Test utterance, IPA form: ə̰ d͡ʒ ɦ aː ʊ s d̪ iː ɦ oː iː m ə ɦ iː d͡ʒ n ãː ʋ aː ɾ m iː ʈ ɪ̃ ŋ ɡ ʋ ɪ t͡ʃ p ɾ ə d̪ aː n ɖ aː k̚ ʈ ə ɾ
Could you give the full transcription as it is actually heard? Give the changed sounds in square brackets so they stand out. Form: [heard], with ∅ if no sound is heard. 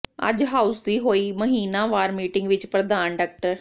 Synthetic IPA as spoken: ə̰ d͡ʒ ɦ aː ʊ s d̪ iː ɦ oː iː m ə ɦ iː [∅] n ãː ʋ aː ɾ m iː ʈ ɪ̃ ŋ ɡ ʋ ɪ t͡ʃ p ɾ ə d̪ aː n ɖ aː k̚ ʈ ə ɾ

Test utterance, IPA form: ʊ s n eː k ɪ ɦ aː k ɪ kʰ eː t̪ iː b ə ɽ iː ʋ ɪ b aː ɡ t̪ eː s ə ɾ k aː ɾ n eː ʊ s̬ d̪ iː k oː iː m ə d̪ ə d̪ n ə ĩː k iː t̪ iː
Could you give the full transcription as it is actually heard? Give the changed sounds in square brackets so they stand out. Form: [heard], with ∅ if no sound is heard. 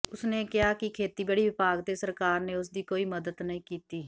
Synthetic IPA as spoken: ʊ s n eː k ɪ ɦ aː k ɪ kʰ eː t̪ iː b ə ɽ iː ʋ ɪ [p] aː ɡ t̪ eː s ə ɾ k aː ɾ n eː ʊ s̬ d̪ iː k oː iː m ə d̪ ə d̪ n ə ĩː k iː t̪ iː

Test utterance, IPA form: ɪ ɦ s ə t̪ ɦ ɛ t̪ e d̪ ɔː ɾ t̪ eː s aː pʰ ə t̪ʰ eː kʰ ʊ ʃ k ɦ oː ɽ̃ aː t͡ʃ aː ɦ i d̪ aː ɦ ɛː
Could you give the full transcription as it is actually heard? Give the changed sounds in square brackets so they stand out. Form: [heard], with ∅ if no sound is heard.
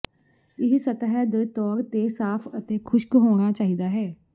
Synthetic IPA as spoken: ɪ ɦ s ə t̪ ɦ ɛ [d̪] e [t̪] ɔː ɾ t̪ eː s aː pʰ ə [t̪] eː kʰ ʊ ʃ k ɦ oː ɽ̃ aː t͡ʃ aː ɦ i d̪ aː ɦ ɛː

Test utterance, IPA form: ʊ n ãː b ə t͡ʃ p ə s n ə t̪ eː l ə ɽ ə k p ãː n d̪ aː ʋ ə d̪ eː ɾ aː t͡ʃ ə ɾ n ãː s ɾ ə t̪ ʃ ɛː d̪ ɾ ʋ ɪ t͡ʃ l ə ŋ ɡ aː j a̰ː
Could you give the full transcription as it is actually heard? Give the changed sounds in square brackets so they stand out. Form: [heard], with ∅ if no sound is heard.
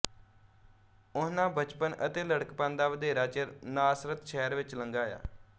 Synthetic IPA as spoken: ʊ n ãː b ə t͡ʃ p ə [∅] n ə t̪ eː l ə ɽ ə k p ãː n d̪ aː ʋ ə d̪ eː ɾ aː t͡ʃ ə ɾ n [aː] s ɾ ə t̪ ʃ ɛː [∅] ɾ ʋ ɪ t͡ʃ l ə ŋ ɡ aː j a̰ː

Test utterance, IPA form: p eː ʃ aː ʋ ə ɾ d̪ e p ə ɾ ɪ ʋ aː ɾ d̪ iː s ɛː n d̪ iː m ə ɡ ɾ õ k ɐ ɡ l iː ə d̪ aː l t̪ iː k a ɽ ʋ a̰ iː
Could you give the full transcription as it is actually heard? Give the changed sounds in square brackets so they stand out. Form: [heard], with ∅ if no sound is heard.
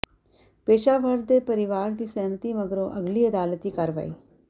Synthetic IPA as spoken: p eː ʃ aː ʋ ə ɾ d̪ e p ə ɾ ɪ ʋ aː ɾ d̪ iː s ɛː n [t̪] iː m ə ɡ ɾ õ [ʔ] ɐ ɡ l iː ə d̪ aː l t̪ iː k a [ɾ] ʋ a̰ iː

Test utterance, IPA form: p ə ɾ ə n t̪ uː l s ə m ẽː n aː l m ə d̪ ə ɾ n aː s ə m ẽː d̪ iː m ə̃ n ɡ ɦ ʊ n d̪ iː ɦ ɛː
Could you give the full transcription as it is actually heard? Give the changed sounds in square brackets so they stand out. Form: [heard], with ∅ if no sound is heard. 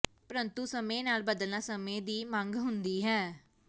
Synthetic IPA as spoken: p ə ɾ ə n t̪ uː [∅] s ə m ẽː n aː l [b] ə d̪ ə [l] n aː s ə m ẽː d̪ iː m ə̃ [ŋ] ɡ ɦ ʊ n d̪ iː ɦ ɛː

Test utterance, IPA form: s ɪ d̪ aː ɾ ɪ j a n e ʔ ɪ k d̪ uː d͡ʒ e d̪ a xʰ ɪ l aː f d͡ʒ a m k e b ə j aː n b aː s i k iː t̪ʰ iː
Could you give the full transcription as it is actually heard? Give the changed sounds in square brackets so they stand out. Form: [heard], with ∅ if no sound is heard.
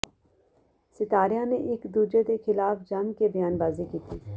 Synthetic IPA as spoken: s ɪ [t̪] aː ɾ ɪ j a n e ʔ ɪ k d̪ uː d͡ʒ e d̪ [e] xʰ ɪ l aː f d͡ʒ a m k e b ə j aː n b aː [z] i k iː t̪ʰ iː

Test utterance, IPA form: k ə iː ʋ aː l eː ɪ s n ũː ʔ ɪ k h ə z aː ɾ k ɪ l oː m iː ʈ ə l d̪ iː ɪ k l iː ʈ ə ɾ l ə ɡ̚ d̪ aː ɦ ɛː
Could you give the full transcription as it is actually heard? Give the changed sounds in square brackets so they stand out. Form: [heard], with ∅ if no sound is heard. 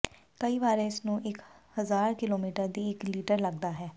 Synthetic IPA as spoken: k ə iː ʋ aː [ɾ] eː ɪ s n ũː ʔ ɪ k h ə z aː ɾ k ɪ l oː m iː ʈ ə [ɾ] d̪ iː ɪ k l iː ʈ ə ɾ l ə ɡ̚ d̪ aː ɦ ɛː

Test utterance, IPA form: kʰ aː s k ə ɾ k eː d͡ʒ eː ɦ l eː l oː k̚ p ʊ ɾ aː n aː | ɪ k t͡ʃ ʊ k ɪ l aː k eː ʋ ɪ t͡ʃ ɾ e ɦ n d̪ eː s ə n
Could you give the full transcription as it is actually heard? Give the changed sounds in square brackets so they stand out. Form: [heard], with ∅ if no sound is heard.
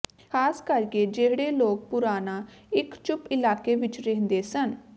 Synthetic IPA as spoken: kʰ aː s k ə ɾ k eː d͡ʒ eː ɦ [ɽ] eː l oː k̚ p ʊ ɾ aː n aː | ɪ k t͡ʃ ʊ [p] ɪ l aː k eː ʋ ɪ t͡ʃ ɾ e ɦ n d̪ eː s ə n

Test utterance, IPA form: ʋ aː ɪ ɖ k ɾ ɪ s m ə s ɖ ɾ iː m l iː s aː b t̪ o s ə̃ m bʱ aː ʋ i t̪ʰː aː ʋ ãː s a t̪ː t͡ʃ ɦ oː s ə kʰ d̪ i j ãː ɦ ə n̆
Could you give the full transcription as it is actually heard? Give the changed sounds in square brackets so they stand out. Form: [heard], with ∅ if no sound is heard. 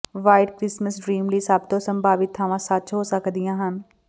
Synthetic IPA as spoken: ʋ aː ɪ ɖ k ɾ ɪ s m ə s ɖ ɾ iː m l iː s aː b t̪ o s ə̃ m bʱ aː ʋ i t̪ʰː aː ʋ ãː s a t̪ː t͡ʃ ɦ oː s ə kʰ d̪ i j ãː ɦ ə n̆

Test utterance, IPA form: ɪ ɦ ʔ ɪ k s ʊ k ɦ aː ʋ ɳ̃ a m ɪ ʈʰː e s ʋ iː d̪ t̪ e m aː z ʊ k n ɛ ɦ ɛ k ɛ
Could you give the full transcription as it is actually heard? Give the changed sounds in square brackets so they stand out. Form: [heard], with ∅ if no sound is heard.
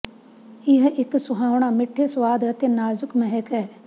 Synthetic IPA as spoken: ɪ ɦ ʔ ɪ k s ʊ [∅] ɦ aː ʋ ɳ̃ a m ɪ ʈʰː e s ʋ [aː] d̪ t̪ e [n] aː z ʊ k [m] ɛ ɦ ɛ k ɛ

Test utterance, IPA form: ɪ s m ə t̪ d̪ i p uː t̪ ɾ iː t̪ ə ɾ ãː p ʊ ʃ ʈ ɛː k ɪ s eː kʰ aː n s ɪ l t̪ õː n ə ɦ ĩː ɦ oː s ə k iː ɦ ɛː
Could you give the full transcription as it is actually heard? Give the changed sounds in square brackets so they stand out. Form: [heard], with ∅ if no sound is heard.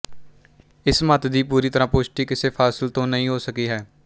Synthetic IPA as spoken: ɪ s m ə t̪ d̪ [iː] p uː [∅] ɾ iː t̪ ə ɾ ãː p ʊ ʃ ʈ [iː] k ɪ s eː [pʰ] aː [∅] s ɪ l t̪ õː n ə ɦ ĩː ɦ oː s ə k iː ɦ ɛː

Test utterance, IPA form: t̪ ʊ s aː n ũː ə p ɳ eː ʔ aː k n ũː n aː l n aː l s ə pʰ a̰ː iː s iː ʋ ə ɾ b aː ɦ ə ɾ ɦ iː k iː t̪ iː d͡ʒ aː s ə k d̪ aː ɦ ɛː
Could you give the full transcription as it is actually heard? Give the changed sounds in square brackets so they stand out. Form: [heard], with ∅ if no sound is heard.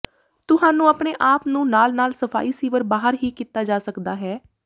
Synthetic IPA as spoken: t̪ ʊ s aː n ũː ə p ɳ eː ʔ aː [p] n ũː n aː l n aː l s ə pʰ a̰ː iː s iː ʋ ə ɾ b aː ɦ ə ɾ ɦ iː k iː t̪ [aː] d͡ʒ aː s ə k d̪ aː ɦ ɛː

